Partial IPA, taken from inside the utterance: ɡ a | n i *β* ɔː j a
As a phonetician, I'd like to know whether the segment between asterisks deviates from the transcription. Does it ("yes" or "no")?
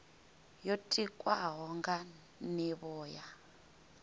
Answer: no